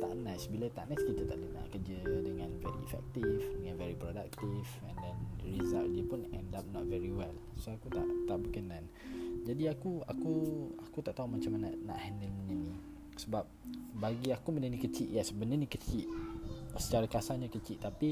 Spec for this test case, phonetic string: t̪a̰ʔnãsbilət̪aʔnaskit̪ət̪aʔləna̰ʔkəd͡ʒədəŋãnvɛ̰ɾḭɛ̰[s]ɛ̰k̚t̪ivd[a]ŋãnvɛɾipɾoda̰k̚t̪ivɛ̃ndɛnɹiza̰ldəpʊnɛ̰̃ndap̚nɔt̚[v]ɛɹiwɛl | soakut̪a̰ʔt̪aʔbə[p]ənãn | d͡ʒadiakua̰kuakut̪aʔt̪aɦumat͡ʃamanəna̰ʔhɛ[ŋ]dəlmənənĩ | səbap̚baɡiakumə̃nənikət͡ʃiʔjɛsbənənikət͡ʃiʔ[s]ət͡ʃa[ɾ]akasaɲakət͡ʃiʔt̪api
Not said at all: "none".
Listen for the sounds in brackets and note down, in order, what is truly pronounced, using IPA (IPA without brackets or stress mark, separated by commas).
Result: f, ə, v, k, n, s, ɾ